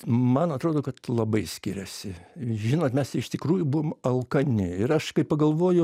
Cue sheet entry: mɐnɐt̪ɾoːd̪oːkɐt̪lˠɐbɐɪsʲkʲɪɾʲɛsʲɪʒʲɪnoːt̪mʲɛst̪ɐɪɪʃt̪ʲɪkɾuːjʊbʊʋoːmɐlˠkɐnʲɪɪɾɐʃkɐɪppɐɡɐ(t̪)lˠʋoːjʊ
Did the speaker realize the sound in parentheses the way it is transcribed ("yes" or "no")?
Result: no